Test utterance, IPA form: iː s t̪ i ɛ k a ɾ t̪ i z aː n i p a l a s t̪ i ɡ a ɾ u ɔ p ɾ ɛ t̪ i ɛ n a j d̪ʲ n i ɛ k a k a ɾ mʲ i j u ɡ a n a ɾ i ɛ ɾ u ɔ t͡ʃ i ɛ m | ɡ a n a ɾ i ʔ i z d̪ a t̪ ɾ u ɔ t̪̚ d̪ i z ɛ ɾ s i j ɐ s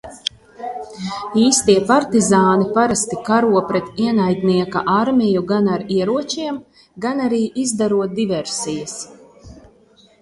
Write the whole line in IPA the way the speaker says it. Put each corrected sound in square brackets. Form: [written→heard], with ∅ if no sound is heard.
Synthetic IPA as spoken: iː s t̪ i ɛ [k→p] a ɾ t̪ i z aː n i p a [l→ɾ] a s t̪ i [ɡ→k] a ɾ u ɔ p ɾ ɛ t̪ i ɛ n a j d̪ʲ n i ɛ k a [k→ʔ] a ɾ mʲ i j u ɡ a n a ɾ i ɛ ɾ u ɔ t͡ʃ i ɛ m | ɡ a n a ɾ [i→iː] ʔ i z d̪ a [t̪→∅] ɾ u ɔ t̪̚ d̪ i [z→v] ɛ ɾ s i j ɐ s